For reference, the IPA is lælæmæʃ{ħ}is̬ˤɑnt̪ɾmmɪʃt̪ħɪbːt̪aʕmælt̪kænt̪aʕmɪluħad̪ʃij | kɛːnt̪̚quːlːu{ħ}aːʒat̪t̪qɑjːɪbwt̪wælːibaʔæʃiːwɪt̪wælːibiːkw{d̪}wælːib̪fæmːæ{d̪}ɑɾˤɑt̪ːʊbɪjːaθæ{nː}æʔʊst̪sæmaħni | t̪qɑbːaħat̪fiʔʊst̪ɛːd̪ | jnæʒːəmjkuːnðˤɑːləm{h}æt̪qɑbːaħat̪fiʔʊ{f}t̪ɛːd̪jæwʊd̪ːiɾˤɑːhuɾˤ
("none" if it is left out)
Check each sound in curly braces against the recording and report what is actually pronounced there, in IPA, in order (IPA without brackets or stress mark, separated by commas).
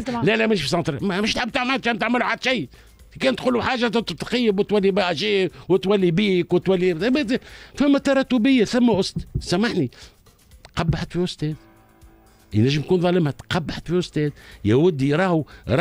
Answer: f, ħ, t̪, t̪, mː, h, s